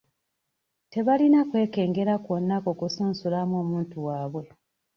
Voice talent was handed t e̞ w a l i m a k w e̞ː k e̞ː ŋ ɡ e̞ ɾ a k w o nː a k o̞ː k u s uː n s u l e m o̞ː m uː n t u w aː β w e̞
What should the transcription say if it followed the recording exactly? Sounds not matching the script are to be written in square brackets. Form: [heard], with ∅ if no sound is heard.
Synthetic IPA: t e̞ [β] a l i [n] a k w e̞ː k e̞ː ŋ ɡ e̞ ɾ a k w o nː a k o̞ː k u s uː n s u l [a] m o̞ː m uː n t u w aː β w e̞